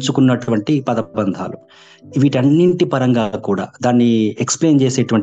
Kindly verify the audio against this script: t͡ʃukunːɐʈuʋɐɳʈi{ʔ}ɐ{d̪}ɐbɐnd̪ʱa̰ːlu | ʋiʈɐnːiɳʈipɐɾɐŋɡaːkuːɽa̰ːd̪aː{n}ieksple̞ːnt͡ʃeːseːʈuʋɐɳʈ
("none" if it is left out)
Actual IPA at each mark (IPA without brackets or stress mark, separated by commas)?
p, d̪, nː